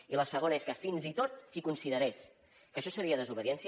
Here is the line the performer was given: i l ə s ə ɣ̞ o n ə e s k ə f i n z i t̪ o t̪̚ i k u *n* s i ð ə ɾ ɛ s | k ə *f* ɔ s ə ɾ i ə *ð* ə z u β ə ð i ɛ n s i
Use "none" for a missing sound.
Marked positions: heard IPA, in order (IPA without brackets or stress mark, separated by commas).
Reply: n, ʃ, ð